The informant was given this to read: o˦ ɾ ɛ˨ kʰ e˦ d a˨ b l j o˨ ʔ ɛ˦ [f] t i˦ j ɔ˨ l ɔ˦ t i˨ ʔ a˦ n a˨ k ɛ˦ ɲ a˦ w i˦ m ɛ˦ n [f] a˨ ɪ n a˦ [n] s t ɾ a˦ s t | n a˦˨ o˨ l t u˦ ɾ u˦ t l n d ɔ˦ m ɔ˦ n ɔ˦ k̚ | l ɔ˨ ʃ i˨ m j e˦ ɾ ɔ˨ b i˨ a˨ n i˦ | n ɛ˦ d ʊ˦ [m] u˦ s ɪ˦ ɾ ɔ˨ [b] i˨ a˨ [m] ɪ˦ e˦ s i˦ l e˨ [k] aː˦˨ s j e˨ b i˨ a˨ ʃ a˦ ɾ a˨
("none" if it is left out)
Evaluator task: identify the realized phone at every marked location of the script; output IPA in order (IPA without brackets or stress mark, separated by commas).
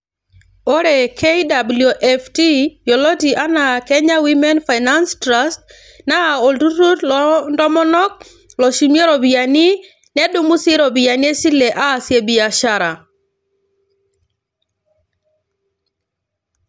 f, f, n, m, b, n, ʔ